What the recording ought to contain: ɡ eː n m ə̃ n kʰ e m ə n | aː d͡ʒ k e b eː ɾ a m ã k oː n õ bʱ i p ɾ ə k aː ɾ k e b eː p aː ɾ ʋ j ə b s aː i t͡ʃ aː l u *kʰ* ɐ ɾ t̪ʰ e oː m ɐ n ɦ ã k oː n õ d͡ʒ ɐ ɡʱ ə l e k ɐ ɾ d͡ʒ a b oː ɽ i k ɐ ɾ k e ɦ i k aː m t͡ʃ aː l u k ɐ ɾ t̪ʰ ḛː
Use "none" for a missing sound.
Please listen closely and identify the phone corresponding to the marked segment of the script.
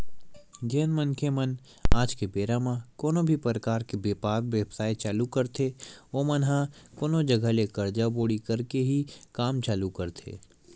k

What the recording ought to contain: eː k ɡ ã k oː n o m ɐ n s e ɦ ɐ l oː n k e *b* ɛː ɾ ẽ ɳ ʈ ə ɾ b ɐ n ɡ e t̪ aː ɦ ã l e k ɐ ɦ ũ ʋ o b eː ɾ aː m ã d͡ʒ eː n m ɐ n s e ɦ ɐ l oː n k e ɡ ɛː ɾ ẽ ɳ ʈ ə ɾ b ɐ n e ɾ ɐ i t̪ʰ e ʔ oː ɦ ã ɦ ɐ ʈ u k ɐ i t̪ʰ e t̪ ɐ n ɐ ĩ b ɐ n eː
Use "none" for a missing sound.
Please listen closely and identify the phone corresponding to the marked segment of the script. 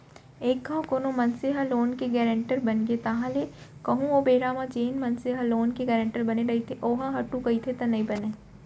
ɡ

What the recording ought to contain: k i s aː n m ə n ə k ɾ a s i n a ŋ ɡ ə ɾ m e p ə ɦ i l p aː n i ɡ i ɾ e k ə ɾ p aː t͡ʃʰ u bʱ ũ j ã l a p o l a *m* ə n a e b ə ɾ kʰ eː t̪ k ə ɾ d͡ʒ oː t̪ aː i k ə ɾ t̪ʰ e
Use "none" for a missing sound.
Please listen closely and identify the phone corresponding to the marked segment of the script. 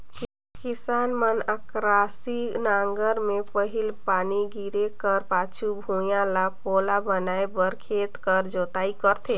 b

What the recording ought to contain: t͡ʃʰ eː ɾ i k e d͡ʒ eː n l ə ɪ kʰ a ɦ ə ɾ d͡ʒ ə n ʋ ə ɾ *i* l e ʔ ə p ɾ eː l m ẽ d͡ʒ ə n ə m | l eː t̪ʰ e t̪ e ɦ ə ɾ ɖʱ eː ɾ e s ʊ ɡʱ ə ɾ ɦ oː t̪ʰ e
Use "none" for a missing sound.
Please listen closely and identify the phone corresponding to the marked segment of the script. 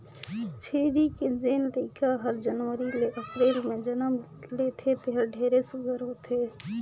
i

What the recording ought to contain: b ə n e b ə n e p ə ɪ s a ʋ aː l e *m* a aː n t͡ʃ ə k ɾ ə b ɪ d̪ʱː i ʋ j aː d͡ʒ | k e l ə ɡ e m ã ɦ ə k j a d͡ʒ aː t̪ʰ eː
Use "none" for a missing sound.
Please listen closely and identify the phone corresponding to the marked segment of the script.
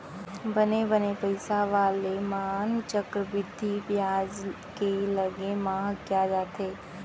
m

